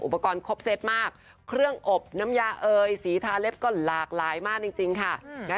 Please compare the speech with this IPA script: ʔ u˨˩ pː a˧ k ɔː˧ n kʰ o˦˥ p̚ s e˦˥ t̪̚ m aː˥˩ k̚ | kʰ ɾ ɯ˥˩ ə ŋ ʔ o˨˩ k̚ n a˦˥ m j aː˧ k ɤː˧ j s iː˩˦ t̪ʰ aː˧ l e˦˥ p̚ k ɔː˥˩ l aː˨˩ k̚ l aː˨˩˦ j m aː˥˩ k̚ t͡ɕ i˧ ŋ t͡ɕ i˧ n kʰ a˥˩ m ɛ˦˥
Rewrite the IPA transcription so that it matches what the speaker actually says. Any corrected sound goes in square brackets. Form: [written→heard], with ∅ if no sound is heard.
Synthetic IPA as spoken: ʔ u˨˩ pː a˧ k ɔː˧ n kʰ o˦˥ p̚ s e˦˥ t̪̚ m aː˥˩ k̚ | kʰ ɾ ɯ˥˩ ə ŋ ʔ o˨˩ [k̚→p̚] n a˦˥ m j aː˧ [k→ʔ] ɤː˧ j s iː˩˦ t̪ʰ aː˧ l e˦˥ p̚ k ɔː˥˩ l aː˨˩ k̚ l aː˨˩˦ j m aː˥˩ k̚ t͡ɕ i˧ ŋ t͡ɕ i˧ [n→ŋ] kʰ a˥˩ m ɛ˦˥